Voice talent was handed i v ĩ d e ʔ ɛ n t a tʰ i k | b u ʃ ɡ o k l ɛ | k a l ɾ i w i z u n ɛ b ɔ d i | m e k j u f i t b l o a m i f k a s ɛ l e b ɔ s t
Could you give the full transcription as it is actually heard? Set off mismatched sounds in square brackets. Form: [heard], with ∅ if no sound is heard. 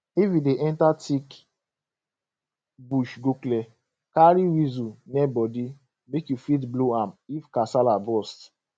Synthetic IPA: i v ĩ d e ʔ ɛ n t a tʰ i k | b u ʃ ɡ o k l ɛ | k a [∅] ɾ i w i z u n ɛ b ɔ d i | m e k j u f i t b l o a m i f k a s [a] l [a] b ɔ s t